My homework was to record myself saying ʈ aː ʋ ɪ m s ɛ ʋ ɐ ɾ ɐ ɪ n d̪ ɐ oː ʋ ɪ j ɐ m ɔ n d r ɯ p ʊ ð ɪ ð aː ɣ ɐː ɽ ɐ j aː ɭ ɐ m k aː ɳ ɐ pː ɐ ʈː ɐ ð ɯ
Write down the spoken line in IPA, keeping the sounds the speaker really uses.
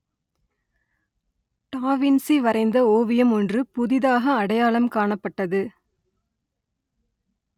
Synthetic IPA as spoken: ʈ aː ʋ ɪ n s i ʋ ɐ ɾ ɐ ɪ n d̪ ɐ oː ʋ ɪ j ɐ m ɔ n d r ɯ p ʊ ð ɪ ð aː ɣ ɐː ɽ ɐ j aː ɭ ɐ m k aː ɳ ɐ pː ɐ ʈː ɐ ð ɯ